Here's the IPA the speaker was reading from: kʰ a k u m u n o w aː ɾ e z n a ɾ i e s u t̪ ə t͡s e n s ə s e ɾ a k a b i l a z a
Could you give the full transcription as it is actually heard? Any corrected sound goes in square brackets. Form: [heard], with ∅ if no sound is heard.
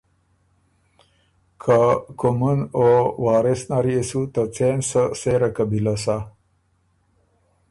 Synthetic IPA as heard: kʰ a k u m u n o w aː ɾ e [s] n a ɾ i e s u t̪ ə t͡s e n s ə s e ɾ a k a b i l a [s] a

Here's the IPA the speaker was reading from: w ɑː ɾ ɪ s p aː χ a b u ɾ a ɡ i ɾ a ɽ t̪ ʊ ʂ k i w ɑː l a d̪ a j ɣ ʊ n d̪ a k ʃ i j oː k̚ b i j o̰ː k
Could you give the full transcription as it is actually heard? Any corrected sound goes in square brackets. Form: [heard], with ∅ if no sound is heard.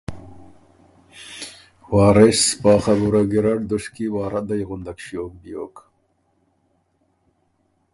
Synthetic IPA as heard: w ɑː ɾ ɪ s p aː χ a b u ɾ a ɡ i ɾ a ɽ [d̪] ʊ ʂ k i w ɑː [ɾ] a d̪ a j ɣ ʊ n d̪ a k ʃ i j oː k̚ b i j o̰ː k

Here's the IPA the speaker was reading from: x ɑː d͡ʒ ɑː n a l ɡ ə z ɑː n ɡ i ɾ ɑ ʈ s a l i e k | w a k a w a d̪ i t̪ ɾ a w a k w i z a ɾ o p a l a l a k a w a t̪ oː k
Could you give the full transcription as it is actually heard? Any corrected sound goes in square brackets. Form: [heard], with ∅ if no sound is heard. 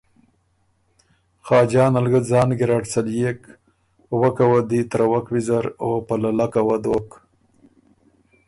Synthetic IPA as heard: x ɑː d͡ʒ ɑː n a l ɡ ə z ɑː n ɡ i ɾ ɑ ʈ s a l [j] e k | w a k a w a d̪ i t̪ ɾ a w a k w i z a ɾ o p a l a l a k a w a [d̪] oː k

